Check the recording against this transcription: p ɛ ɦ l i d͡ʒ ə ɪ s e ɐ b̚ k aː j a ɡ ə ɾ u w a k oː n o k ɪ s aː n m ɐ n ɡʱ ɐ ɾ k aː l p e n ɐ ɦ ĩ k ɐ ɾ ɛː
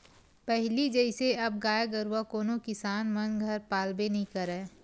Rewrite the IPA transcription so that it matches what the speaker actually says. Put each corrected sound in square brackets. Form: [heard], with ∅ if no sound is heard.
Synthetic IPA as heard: p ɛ ɦ l i d͡ʒ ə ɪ s e ɐ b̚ [ɡ] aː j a ɡ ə ɾ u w a k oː n o k ɪ s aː n m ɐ n ɡʱ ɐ ɾ [p] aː l [b] e n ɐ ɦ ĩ k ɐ ɾ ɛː